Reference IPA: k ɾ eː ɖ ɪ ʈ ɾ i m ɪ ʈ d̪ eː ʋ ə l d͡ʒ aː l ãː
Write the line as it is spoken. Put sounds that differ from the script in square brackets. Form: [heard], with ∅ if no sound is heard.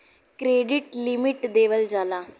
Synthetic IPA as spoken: k ɾ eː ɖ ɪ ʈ [l] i m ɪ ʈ d̪ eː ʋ ə l d͡ʒ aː l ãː